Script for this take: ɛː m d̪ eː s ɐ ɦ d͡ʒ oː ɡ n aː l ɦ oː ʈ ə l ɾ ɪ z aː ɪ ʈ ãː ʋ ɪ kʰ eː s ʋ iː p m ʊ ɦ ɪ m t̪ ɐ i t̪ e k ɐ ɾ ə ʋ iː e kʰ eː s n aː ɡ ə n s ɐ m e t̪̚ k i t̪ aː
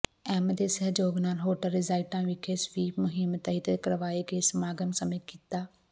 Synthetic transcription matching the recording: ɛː m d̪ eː s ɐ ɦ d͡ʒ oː ɡ n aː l ɦ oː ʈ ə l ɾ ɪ z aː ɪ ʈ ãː ʋ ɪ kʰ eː s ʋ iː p m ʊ ɦ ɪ m t̪ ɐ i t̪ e k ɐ ɾ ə ʋ aː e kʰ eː s m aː ɡ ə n s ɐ m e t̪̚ k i t̪ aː

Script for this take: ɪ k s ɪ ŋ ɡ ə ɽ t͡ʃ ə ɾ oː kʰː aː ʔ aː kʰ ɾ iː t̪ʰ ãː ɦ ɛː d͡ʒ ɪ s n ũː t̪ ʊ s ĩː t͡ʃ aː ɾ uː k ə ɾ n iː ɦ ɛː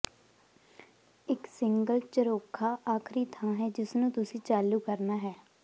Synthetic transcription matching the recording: ɪ k s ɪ ŋ ɡ ə l t͡ʃ ə ɾ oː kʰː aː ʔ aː kʰ ɾ iː t̪ʰ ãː ɦ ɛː d͡ʒ ɪ s n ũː t̪ ʊ s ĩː t͡ʃ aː l uː k ə ɾ n aː ɦ ɛː

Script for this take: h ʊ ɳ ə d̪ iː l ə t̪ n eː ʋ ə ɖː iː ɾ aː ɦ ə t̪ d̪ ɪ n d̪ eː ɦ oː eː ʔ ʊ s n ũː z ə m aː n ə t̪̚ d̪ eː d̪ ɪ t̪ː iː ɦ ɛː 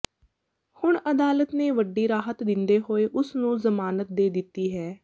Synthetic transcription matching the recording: h ʊ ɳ ə d̪ aː l ə t̪ n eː ʋ ə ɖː iː ɾ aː ɦ ə t̪ d̪ ɪ n d̪ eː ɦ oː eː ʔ ʊ s n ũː z ə m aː n ə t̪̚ d̪ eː d̪ ɪ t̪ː iː ɦ ɛː

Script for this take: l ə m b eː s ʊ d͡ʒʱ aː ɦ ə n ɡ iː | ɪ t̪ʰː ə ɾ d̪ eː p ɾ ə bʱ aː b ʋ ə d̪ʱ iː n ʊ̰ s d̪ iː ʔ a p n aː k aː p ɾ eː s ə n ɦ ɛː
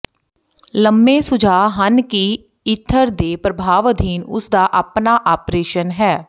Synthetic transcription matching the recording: l ə m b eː s ʊ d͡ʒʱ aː ɦ ə n k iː | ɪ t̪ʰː ə ɾ d̪ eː p ɾ ə bʱ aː ʋ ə d̪ʱ iː n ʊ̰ s d̪ aː ʔ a p n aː ʔ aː p ɾ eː ʃ ə n ɦ ɛː

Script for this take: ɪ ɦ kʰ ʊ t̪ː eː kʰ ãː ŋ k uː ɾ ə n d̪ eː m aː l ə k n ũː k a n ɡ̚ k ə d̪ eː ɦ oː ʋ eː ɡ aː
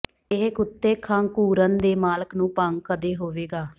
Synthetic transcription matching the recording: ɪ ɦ k ʊ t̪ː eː kʰ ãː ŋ k uː ɾ ə n d̪ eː m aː l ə k n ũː p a ŋ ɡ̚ k ə d̪ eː ɦ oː ʋ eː ɡ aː

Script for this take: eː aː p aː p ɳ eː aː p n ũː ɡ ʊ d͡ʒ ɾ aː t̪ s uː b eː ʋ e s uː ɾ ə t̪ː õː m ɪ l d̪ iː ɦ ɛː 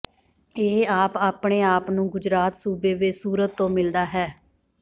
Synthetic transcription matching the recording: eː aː p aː p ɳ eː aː p n ũː ɡ ʊ d͡ʒ ɾ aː t̪ s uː b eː ʋ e s uː ɾ ə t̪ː õː m ɪ l d̪ aː ɦ ɛː

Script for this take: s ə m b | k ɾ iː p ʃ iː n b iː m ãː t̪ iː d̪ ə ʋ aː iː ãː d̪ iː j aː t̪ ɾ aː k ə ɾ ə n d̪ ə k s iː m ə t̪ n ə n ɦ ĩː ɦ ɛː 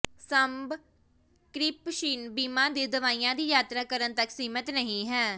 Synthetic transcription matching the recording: s ə m b | k ɾ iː p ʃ iː n b iː m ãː d̪ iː d̪ ə ʋ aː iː ãː d̪ iː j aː t̪ ɾ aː k ə ɾ ə n t̪ ə k s iː m ə t̪ n ə ɦ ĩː ɦ ɛː

